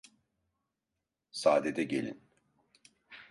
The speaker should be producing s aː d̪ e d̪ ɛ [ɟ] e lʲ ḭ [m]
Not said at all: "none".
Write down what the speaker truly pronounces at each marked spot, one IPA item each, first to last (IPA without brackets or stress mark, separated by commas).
ɟ, n